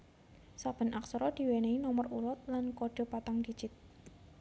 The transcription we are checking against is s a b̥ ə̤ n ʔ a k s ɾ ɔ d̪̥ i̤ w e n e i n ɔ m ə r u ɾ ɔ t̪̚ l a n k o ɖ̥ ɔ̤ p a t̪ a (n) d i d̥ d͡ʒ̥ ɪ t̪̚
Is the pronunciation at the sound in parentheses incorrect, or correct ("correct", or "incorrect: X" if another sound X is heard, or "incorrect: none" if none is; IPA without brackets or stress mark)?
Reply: incorrect: ŋ